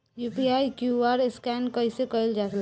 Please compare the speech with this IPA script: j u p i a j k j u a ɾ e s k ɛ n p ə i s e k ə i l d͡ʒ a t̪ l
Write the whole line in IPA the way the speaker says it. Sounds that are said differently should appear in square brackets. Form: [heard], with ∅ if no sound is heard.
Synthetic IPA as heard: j u p i a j k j u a ɾ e s k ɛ n [k] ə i s e k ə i l d͡ʒ a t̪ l